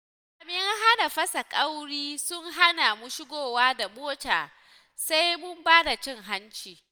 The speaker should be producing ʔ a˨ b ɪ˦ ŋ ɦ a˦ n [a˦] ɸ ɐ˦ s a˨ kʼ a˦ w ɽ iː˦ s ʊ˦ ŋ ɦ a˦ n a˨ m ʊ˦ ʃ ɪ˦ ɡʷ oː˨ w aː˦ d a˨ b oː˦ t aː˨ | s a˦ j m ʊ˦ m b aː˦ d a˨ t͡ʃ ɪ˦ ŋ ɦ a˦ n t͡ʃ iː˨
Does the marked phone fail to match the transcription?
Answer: yes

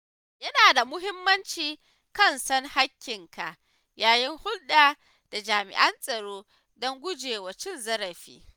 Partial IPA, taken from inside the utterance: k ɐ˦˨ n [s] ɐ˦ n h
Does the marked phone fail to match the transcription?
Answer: no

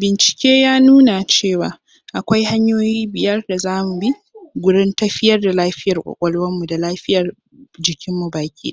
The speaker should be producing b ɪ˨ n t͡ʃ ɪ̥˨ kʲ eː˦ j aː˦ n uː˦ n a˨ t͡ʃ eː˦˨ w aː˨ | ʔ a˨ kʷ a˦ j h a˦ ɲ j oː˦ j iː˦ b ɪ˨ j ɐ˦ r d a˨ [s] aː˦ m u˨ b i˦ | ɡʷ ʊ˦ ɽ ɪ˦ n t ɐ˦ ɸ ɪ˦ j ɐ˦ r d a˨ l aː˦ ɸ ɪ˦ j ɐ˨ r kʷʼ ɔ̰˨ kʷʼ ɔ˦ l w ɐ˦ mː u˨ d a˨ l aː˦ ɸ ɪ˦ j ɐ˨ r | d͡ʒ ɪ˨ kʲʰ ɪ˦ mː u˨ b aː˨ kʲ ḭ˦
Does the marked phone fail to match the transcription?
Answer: yes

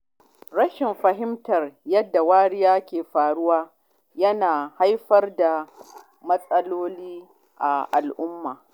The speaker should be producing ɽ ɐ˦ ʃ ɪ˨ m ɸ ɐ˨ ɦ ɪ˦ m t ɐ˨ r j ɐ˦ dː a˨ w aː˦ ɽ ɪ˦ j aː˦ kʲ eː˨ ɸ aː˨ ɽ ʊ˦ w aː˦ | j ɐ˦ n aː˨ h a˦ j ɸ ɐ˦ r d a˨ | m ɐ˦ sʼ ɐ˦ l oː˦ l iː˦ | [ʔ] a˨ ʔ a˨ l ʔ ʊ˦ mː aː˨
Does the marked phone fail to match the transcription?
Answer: no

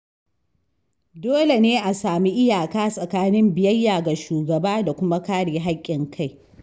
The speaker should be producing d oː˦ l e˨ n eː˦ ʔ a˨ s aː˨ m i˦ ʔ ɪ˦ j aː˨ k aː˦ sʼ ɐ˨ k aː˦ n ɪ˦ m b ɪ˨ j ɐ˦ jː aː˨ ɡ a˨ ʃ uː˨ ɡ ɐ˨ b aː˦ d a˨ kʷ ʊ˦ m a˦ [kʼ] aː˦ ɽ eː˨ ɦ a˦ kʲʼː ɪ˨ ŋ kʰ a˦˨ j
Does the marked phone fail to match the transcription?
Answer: yes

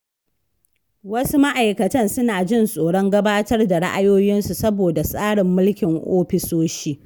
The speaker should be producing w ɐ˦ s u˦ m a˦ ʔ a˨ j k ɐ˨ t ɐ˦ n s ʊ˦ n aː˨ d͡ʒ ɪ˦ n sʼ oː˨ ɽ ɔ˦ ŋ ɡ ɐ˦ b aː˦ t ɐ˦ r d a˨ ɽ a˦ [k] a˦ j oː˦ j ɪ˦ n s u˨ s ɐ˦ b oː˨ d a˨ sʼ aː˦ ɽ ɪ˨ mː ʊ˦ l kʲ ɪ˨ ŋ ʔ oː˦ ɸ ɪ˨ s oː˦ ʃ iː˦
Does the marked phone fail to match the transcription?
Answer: yes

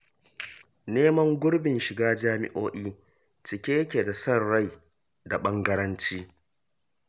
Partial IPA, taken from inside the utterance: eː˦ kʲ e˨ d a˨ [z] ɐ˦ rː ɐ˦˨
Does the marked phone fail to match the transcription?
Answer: yes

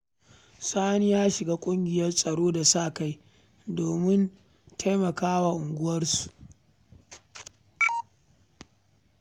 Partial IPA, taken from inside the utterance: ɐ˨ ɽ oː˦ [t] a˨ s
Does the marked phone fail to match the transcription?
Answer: yes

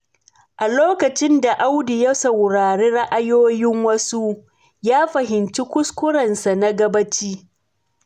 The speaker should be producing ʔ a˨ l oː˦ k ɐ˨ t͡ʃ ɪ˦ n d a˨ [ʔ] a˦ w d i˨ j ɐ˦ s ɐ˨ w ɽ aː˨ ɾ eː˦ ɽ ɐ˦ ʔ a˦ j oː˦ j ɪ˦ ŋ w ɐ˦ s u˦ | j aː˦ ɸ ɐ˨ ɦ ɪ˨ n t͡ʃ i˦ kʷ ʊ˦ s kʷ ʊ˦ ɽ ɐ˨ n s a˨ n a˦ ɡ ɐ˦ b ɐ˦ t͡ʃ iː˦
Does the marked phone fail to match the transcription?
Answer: no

